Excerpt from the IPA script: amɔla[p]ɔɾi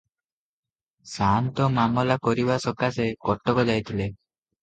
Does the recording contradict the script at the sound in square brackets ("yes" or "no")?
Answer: yes